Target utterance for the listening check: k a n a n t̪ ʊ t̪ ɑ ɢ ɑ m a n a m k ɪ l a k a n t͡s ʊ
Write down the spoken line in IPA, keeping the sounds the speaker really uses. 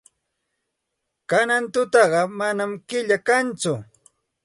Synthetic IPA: k a n a n t̪ ʊ t̪ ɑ ɢ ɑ m a n a m k ɪ ʎ a k a n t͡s ʊ